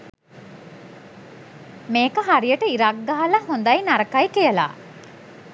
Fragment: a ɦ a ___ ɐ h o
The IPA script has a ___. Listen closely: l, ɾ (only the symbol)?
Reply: l